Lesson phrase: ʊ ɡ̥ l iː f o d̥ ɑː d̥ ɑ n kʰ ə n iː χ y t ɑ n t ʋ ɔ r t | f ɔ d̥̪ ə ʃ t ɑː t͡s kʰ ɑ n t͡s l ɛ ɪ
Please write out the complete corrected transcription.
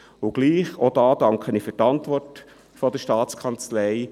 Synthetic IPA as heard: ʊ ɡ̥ l iː χ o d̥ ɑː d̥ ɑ ŋ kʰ ə n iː f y t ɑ n t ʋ ɔ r t | f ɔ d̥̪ ə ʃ t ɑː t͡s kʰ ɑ n t͡s l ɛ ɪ